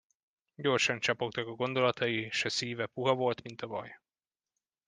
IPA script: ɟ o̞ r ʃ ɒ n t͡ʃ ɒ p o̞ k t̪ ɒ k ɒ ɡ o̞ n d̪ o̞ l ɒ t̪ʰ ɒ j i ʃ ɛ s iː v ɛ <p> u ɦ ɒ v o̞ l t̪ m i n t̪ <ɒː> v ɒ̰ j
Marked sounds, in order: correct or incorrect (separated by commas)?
correct, incorrect